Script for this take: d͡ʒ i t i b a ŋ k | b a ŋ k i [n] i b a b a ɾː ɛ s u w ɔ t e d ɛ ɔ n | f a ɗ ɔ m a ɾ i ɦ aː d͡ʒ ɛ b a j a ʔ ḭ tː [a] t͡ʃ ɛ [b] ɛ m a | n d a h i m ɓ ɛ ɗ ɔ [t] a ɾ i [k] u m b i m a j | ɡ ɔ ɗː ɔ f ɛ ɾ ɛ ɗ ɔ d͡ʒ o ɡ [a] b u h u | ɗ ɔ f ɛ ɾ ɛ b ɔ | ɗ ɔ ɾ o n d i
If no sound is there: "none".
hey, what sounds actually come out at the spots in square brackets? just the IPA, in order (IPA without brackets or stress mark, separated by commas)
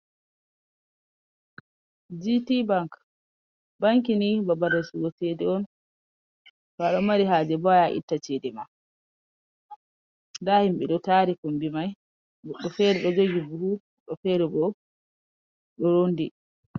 n, a, d, t, k, i